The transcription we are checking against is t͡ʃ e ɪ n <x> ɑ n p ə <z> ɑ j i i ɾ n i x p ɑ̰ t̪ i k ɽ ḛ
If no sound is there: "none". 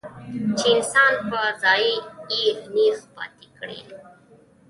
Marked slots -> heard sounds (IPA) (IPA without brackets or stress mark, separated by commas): s, z